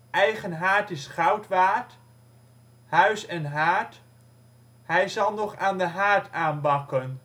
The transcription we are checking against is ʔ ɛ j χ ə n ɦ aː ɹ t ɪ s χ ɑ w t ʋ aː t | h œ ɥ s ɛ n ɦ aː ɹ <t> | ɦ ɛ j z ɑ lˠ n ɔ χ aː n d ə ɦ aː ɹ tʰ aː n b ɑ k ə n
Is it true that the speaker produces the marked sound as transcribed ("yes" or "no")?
yes